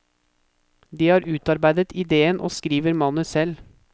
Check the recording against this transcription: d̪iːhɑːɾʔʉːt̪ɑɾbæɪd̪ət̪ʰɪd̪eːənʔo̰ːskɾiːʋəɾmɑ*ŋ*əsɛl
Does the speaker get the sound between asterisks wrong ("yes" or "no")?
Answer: yes